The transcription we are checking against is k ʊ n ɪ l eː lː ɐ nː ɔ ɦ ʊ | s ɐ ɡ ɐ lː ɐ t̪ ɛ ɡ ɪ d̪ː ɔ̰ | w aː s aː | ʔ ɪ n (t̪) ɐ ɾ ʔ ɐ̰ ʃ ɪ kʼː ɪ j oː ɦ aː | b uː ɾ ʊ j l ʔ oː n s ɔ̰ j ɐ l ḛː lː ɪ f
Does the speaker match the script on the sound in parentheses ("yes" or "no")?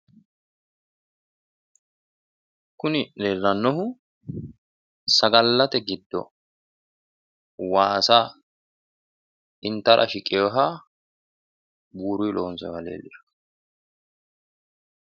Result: yes